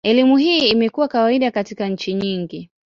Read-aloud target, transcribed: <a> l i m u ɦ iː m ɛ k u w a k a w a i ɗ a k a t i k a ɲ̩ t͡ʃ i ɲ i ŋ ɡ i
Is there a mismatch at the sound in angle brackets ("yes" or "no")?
yes